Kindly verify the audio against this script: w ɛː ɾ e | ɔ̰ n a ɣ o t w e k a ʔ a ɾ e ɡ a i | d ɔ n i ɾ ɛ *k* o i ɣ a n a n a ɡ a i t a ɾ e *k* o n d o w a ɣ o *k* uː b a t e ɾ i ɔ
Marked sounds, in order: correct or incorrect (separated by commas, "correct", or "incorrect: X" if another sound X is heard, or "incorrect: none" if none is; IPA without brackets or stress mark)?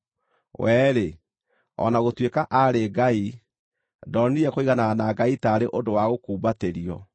correct, incorrect: ʔ, correct